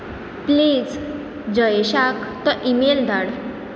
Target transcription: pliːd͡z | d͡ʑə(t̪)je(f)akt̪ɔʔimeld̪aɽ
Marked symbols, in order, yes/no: no, no

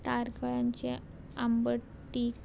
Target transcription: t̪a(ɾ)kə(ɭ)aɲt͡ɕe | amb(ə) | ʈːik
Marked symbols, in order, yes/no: yes, yes, yes

